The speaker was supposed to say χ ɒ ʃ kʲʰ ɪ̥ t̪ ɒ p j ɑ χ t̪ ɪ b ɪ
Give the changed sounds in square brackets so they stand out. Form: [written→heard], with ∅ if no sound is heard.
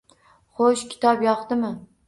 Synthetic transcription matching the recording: χ [ɒ→o] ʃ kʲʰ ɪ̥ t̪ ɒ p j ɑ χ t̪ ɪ [b→m] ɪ